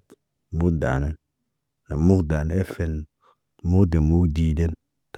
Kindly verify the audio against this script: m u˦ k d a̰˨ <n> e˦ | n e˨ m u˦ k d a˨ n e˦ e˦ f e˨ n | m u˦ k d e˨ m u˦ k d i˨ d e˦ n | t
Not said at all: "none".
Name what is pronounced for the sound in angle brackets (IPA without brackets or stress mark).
n